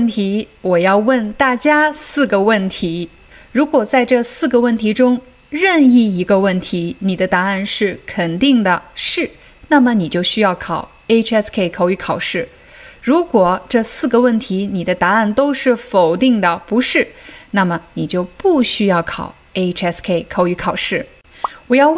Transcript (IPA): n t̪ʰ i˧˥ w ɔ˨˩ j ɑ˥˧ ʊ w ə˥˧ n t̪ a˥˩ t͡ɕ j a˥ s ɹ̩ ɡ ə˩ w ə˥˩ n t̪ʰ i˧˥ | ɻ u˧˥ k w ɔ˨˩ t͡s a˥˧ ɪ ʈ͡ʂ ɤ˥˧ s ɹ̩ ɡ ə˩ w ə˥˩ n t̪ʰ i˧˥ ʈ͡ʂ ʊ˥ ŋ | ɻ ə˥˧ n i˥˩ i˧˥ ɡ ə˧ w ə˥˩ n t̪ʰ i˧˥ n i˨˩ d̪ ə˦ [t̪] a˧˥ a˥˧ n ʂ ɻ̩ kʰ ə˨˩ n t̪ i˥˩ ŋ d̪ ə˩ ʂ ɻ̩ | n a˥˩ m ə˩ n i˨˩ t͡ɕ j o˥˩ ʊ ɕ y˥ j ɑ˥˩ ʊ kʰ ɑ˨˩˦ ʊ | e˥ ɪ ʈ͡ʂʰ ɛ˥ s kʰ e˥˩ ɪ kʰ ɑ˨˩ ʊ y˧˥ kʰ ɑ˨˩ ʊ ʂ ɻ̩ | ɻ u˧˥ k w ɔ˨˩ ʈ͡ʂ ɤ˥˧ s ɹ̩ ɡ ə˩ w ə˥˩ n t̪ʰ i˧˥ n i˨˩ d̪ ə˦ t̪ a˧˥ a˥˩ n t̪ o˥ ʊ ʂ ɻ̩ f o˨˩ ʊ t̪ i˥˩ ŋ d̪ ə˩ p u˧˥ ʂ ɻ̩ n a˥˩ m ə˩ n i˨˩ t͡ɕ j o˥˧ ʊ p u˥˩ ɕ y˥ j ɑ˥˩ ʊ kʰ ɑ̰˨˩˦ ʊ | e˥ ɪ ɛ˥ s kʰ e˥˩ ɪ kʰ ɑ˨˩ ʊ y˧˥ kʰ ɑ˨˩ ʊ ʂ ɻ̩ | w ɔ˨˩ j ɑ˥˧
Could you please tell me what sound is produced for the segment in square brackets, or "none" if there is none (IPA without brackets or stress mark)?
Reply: t̪